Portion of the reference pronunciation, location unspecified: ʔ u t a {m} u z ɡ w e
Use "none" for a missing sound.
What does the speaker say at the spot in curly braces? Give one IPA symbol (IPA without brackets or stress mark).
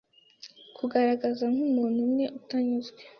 ɲ